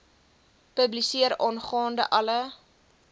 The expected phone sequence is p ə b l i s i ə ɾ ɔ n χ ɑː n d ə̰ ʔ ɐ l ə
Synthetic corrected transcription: p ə b l i s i ə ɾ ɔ n χ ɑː n d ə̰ ʔ ɐ l ə